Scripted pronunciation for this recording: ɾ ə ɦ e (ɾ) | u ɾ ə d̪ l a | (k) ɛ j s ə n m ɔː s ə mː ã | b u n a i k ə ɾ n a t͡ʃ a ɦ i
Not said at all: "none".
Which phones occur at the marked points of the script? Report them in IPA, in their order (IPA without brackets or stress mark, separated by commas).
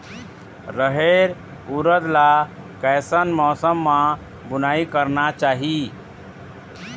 ɾ, k